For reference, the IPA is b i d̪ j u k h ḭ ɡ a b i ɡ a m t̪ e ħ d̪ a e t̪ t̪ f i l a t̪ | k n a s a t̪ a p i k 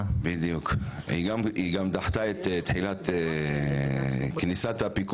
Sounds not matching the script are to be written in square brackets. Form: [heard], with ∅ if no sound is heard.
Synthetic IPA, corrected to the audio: b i d̪ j u k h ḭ ɡ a [m] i ɡ a m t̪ [a] ħ [t̪] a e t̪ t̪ [ħ] i l a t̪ | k n [i] s a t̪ a p i k